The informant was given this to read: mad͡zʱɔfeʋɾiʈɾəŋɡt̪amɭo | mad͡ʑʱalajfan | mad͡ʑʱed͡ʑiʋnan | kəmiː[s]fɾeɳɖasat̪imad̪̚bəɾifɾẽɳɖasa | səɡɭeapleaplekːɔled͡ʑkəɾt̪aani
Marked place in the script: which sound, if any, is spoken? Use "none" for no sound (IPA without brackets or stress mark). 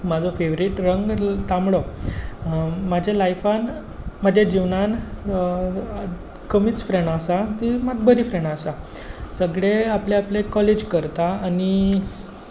t͡s